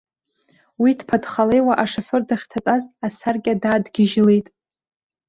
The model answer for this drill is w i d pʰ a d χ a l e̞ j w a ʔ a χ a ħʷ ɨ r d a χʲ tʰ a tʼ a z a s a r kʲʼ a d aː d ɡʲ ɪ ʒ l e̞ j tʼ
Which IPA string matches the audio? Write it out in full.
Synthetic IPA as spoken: w i d pʰ a d χ a l e̞ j w a ʔ a ʂ a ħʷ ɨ r d a χʲ tʰ a tʼ a z a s a r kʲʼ a d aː d ɡʲ ɪ ʒ l e̞ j tʼ